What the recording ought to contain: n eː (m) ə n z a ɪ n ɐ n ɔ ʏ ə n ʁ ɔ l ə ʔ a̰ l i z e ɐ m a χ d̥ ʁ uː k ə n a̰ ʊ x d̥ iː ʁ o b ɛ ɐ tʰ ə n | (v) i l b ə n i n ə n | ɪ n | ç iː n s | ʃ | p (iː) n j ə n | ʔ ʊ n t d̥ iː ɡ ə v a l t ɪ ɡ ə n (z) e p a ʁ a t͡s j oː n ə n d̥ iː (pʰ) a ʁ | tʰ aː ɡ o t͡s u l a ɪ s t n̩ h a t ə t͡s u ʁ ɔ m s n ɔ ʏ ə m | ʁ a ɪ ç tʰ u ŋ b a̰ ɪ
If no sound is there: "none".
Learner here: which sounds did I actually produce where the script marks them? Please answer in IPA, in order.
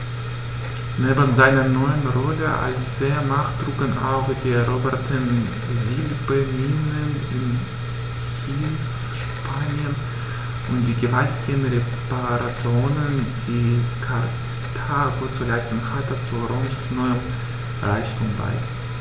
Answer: b, z, aː, ʁ, kʰ

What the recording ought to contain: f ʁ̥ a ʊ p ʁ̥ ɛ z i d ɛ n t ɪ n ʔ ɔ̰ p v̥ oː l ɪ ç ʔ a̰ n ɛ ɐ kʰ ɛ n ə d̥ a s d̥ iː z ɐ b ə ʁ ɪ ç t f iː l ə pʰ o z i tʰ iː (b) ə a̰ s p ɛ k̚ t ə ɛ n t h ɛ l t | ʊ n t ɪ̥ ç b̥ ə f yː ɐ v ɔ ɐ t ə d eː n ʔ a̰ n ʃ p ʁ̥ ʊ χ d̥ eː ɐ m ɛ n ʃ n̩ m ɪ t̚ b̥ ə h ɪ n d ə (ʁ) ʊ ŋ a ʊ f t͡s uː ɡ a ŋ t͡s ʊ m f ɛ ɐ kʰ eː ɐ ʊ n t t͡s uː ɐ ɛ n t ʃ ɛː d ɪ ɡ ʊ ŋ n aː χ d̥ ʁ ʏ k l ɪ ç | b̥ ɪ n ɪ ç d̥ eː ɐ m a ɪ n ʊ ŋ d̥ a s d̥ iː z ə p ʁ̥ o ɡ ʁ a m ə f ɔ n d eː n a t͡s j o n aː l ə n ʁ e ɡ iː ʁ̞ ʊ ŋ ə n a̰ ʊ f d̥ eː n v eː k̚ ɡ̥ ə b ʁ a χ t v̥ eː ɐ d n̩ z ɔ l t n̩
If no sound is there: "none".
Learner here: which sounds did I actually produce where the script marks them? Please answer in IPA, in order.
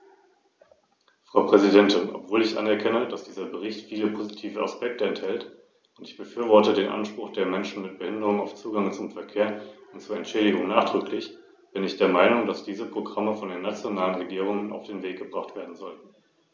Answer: v, ʁ

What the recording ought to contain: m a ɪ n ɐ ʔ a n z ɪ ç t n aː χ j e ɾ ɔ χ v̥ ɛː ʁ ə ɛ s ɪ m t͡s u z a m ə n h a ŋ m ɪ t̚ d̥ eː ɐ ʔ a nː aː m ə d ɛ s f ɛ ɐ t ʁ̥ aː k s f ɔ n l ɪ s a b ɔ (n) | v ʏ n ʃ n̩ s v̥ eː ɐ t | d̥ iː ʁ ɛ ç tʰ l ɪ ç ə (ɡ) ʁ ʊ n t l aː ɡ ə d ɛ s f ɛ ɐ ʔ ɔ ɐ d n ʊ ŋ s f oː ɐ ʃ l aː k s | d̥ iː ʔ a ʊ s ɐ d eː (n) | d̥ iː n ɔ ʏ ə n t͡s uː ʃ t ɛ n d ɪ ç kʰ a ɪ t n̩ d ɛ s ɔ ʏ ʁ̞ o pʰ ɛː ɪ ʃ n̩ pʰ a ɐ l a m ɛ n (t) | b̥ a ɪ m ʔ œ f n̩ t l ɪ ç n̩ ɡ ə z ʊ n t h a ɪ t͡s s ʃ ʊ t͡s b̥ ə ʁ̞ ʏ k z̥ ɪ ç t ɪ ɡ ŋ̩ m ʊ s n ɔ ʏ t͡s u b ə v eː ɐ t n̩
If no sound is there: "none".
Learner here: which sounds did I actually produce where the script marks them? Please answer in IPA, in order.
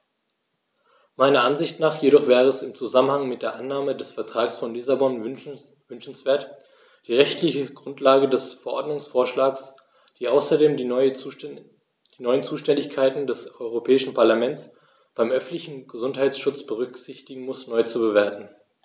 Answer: n, ɡ, m, t͡s

